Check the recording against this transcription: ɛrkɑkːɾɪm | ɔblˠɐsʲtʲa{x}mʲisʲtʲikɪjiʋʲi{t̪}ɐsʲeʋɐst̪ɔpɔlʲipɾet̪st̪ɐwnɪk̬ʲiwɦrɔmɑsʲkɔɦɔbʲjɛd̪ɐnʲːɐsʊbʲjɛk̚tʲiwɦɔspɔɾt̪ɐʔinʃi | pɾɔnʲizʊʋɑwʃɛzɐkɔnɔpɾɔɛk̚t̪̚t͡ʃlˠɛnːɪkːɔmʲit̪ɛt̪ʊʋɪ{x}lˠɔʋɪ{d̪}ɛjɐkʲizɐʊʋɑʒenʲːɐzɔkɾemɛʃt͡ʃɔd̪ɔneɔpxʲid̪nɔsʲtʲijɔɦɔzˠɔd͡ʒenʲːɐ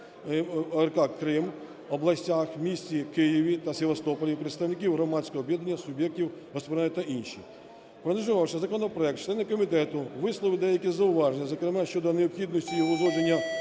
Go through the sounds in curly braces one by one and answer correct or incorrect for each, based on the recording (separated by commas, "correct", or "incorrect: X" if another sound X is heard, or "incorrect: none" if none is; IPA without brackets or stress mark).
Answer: correct, correct, incorrect: s, correct